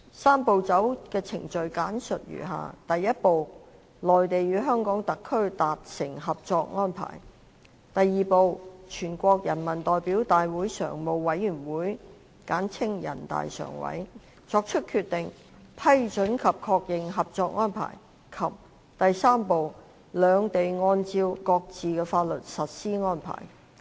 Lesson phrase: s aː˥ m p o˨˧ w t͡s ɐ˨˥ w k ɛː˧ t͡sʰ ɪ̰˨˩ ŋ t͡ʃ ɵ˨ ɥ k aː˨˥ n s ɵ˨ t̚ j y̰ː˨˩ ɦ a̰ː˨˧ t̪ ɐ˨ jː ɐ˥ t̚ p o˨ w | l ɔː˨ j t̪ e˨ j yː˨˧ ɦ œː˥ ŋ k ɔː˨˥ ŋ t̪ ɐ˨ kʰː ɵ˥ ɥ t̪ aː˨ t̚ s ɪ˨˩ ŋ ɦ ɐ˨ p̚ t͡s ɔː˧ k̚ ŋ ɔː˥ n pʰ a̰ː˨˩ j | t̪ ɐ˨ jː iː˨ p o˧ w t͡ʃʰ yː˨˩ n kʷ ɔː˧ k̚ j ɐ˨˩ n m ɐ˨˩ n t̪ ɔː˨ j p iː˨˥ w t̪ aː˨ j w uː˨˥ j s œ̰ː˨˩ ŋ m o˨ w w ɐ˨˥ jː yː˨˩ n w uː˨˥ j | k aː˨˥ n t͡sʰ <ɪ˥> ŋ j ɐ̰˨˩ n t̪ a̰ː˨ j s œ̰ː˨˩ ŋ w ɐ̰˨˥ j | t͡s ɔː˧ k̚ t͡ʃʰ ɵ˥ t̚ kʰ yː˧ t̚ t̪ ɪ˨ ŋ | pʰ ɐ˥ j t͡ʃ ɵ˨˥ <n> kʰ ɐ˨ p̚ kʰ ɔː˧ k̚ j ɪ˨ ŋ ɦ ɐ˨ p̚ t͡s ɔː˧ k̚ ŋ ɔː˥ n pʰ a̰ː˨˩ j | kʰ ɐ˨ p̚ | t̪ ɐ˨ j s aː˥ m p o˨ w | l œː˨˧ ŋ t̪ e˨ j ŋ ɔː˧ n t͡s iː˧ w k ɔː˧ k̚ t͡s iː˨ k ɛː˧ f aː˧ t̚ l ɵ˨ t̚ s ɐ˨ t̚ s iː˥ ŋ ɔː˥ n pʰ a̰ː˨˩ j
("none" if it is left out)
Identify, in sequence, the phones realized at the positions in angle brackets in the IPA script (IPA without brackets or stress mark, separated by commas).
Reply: ɪ˥, n